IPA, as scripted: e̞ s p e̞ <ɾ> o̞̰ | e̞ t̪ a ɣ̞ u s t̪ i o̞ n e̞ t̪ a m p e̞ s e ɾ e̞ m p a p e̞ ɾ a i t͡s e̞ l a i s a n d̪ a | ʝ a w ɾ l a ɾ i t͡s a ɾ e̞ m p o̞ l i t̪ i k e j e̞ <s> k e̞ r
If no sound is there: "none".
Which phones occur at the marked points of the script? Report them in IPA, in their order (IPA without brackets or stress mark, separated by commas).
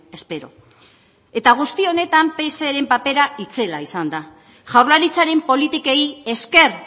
ɾ, s